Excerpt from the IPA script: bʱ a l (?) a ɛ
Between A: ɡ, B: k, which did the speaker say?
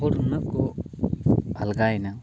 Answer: A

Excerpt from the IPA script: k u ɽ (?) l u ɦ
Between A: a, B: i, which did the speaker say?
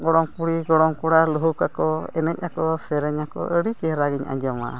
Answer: A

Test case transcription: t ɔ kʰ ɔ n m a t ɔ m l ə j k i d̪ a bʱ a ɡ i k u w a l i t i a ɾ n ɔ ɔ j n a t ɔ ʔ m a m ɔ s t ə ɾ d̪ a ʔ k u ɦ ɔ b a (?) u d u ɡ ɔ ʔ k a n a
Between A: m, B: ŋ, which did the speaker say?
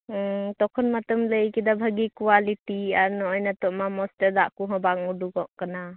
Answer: B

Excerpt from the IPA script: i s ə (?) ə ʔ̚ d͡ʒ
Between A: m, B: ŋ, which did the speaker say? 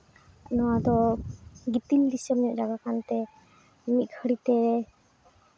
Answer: A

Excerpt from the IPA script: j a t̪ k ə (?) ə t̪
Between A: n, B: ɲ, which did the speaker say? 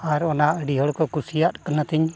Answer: A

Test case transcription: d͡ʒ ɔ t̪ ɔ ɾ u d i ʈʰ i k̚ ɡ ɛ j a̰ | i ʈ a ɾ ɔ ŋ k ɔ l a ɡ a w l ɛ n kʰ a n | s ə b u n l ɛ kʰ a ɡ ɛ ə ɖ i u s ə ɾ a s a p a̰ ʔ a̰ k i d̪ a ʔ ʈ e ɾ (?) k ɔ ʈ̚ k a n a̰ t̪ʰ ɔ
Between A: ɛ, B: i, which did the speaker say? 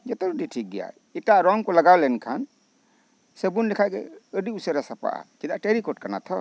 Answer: B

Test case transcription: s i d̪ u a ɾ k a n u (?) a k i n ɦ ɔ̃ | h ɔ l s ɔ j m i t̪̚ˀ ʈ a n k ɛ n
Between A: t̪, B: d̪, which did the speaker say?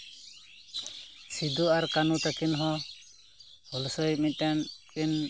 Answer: A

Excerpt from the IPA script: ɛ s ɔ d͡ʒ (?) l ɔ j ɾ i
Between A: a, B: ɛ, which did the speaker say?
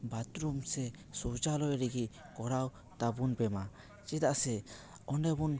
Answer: A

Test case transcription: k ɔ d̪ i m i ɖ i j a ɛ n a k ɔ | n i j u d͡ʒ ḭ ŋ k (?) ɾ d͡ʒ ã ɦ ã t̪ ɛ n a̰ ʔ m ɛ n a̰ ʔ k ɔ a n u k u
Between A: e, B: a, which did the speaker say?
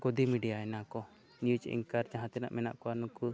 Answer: B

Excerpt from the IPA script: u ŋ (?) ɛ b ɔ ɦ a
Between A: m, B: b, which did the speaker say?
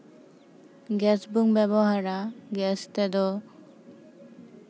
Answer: B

